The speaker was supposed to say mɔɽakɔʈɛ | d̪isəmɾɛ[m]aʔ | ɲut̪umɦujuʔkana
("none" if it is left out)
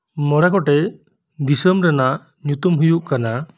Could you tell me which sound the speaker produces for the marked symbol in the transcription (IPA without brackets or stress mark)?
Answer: n